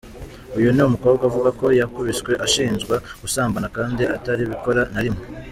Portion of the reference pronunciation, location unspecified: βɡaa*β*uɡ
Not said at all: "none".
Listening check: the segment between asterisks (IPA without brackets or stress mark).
v